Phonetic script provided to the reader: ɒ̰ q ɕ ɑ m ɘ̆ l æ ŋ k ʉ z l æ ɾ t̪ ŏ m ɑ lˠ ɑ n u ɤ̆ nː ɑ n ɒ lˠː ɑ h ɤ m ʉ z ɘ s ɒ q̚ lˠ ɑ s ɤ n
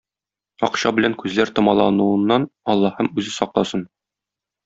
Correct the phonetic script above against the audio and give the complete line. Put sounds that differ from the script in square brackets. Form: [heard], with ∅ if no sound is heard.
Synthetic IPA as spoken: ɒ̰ q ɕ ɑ [b] ɘ̆ l æ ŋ k ʉ z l æ ɾ t̪ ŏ m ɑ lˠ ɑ n u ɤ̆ nː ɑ n ɒ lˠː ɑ h ɤ m ʉ z ɘ s ɒ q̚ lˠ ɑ s ɤ n